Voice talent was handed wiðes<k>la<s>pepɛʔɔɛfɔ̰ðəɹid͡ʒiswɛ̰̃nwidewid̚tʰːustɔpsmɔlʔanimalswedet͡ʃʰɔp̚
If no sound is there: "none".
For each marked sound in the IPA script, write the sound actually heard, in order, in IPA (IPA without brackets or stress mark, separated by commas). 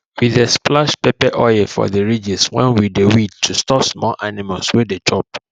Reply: p, ʃ